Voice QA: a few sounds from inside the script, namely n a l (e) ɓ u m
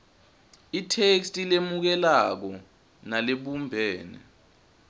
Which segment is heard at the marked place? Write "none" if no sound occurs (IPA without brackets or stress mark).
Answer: e